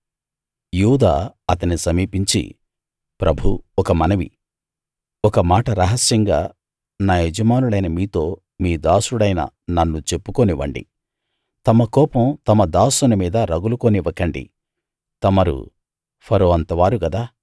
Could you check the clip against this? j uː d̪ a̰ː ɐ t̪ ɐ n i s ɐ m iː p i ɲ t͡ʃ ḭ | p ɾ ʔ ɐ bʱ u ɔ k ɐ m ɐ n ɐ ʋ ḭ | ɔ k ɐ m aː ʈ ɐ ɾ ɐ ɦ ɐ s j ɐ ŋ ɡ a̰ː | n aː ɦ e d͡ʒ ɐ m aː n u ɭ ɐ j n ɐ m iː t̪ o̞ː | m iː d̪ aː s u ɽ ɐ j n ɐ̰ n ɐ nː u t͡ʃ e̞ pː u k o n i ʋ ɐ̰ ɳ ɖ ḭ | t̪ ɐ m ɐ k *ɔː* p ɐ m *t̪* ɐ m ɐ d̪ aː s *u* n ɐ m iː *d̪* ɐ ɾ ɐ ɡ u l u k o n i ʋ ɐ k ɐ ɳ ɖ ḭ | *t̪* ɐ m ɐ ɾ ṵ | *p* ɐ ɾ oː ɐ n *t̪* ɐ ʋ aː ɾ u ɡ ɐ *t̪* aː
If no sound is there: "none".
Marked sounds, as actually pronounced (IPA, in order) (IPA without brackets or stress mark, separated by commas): ɔː, t̪, u, d̪, t̪, pʰ, t̪, d̪